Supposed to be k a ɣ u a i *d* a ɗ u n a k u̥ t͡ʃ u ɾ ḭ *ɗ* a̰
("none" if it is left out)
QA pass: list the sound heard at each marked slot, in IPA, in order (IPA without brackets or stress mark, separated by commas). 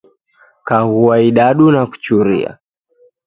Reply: ɗ, none